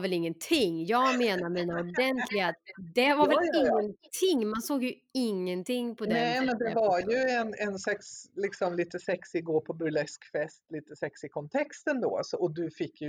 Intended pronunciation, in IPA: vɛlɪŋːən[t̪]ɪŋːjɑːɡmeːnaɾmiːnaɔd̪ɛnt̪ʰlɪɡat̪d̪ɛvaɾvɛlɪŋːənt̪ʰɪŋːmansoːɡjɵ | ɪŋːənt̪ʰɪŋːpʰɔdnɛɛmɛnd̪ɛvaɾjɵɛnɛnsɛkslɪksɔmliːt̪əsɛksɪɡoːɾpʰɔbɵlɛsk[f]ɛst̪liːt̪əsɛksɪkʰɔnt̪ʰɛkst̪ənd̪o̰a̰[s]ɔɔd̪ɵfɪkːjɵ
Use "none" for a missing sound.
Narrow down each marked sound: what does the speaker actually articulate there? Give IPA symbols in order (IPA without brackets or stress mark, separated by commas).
t̪ʰ, f, s